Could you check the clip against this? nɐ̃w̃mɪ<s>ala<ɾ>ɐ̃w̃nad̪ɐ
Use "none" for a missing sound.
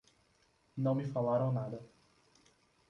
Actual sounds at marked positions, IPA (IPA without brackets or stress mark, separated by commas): f, ɾ